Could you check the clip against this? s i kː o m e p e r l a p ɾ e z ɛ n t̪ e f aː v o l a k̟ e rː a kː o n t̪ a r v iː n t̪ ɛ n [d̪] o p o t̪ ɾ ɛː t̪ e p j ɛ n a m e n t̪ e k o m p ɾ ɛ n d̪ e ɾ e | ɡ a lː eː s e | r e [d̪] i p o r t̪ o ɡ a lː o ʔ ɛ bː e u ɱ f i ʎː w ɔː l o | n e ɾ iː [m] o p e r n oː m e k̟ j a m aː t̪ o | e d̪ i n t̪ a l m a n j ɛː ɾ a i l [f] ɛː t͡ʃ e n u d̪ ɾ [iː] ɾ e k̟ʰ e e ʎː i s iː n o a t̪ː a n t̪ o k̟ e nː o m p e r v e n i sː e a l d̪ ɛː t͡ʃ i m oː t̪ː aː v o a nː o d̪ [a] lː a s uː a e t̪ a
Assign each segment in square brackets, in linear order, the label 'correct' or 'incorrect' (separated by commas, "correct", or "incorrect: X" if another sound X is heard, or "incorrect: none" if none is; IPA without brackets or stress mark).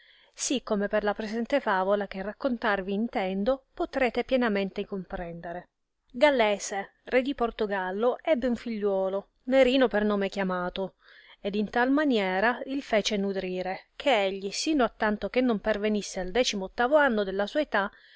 correct, correct, incorrect: n, correct, correct, incorrect: e